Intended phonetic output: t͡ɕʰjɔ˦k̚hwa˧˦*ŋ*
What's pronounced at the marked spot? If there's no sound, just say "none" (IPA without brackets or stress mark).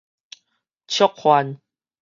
n